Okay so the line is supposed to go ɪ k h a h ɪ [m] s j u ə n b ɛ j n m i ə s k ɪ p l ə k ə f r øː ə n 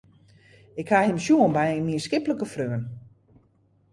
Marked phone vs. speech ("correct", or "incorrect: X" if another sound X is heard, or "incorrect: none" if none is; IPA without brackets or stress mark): correct